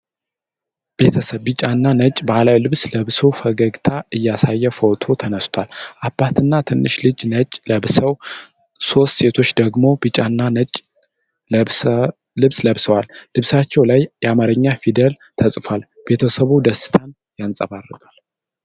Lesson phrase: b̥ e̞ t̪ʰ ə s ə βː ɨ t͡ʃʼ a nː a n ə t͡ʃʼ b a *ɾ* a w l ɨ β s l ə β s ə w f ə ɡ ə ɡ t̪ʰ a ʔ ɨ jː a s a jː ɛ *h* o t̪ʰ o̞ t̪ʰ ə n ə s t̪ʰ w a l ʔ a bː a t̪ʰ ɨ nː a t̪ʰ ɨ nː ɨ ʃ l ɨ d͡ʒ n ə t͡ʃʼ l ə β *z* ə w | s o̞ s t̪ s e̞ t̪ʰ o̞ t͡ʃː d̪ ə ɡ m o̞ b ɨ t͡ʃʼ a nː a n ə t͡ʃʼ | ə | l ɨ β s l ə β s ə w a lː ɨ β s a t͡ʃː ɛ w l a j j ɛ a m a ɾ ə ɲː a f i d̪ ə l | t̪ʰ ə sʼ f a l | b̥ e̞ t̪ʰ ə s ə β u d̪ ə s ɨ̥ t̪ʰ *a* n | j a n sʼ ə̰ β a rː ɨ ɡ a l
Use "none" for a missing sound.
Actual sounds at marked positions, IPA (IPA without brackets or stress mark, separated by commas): l, f, s, a